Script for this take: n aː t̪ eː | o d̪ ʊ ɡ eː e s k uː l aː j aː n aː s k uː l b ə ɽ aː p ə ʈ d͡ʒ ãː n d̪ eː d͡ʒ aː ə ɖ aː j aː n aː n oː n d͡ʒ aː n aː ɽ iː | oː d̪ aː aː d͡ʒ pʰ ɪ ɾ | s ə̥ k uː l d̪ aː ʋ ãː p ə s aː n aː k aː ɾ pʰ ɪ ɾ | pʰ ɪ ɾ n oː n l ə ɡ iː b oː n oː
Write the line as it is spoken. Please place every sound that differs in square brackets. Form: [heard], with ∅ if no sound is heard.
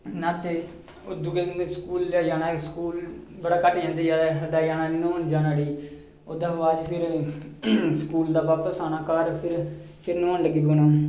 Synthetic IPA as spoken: n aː t̪ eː | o d̪ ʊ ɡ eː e s k uː l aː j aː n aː s k uː l b ə ɽ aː [k] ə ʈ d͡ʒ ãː n d̪ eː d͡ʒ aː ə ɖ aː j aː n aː n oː n d͡ʒ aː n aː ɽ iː | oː d̪ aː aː d͡ʒ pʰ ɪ ɾ | s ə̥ k uː l d̪ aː ʋ [aː] p ə s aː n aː k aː ɾ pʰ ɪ ɾ | pʰ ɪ ɾ n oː n l ə ɡ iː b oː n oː